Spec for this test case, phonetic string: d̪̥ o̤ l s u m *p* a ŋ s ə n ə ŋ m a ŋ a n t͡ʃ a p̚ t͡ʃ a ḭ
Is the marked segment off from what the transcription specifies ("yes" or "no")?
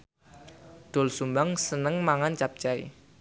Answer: yes